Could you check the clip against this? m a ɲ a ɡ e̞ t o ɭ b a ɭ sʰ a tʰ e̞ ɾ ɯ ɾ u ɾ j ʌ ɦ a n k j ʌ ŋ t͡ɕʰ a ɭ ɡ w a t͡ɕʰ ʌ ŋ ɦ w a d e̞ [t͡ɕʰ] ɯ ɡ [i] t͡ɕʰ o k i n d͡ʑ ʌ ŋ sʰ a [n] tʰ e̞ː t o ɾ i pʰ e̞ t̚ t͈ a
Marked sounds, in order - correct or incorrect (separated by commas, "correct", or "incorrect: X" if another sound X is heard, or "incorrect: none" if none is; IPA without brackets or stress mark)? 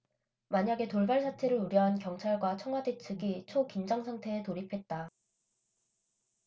correct, correct, incorrect: ŋ